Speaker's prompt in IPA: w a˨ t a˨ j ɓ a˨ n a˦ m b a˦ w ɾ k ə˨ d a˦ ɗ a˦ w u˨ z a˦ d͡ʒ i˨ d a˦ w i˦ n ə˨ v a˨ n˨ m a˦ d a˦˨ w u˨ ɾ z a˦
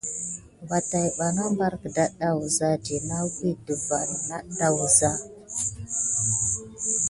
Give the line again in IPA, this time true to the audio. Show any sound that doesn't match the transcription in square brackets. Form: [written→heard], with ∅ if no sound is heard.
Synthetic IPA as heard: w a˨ t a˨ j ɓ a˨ n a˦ m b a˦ [w→∅] ɾ k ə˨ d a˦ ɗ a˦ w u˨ z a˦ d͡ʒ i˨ [d→n] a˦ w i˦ [n→d] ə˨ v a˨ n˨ [m→n] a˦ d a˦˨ w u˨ [ɾ→∅] z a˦